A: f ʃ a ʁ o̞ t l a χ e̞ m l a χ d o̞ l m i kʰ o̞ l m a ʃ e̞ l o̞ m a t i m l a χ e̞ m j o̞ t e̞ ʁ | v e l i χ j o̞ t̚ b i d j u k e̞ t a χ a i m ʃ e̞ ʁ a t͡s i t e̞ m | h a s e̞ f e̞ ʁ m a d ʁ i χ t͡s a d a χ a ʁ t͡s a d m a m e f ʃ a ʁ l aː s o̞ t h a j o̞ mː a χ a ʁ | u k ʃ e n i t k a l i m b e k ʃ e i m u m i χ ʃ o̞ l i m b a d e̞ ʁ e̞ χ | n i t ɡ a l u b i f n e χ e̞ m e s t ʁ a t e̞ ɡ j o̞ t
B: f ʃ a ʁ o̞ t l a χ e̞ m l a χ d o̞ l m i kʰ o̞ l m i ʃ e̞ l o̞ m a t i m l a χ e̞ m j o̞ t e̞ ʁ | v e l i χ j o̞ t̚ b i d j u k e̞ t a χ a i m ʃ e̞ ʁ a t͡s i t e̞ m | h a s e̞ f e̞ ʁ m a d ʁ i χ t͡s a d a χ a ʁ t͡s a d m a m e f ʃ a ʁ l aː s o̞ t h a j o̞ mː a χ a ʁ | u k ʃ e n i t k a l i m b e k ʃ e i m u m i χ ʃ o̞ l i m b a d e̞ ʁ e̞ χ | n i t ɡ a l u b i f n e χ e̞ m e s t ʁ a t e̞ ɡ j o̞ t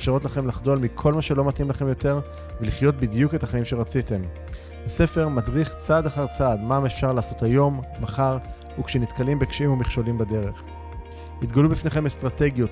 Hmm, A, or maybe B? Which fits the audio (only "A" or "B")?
A